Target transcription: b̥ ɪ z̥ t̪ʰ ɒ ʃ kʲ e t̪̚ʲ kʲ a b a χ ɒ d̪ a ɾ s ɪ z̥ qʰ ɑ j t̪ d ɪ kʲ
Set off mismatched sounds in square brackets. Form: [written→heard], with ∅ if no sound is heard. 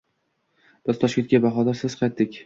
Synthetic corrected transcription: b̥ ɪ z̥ t̪ʰ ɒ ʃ kʲ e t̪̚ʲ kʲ a b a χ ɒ d̪ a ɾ s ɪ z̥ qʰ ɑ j t̪ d ɪ kʲ